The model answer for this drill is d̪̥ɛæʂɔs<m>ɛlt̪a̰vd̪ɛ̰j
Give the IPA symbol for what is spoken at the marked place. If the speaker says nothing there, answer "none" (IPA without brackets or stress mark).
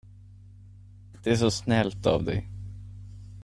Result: n